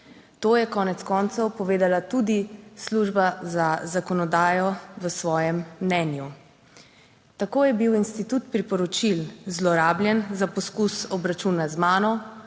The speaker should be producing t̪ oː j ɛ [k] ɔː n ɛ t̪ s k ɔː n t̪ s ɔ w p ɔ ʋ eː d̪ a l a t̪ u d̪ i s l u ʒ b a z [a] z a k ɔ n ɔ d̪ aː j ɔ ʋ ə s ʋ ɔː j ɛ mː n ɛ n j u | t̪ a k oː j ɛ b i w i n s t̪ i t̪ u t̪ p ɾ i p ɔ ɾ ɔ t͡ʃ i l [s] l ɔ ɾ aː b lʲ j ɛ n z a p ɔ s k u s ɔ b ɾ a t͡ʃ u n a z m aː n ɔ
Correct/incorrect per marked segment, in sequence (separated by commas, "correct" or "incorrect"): correct, correct, incorrect